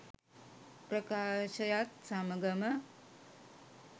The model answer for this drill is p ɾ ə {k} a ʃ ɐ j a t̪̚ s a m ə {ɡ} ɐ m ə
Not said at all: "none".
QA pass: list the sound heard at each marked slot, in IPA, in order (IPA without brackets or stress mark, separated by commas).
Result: k, ɡ